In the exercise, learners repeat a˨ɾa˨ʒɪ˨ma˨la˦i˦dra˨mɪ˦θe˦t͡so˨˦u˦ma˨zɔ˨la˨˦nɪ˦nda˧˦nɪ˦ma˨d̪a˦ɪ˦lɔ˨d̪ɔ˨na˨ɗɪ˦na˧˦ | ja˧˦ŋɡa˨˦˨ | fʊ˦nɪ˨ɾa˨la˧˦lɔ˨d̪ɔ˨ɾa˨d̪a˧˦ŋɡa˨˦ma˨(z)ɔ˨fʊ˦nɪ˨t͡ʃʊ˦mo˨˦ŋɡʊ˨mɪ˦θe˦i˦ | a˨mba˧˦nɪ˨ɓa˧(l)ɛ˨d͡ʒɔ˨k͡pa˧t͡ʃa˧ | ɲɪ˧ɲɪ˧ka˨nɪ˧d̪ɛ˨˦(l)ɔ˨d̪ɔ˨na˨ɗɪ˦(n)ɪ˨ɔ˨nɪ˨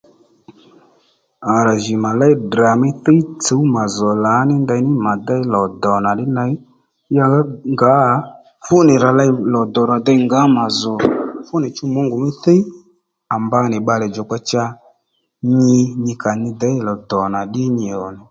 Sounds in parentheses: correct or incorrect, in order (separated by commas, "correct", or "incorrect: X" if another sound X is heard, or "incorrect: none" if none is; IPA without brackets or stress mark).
correct, correct, correct, incorrect: ɲ